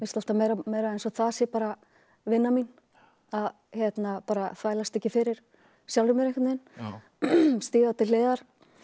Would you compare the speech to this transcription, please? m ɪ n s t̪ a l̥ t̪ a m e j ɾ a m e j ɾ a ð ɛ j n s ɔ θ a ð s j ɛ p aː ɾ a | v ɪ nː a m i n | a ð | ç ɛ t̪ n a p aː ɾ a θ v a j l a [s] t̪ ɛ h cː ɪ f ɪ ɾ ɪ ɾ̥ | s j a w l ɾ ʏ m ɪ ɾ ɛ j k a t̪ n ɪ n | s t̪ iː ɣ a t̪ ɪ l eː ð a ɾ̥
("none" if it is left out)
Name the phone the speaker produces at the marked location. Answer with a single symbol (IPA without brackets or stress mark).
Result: s